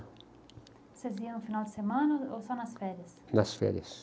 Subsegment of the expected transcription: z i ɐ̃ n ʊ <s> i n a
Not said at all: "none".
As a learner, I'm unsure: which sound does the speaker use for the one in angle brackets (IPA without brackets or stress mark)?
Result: f